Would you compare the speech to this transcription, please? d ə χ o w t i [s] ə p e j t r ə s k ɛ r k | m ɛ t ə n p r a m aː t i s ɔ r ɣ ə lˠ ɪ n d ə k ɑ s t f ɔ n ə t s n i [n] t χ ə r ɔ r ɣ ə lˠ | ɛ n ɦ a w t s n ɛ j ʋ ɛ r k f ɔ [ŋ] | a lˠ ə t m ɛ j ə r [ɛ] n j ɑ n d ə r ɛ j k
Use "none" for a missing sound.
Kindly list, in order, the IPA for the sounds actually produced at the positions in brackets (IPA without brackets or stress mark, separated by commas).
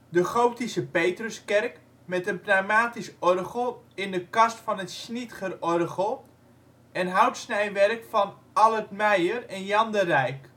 s, none, n, ɛ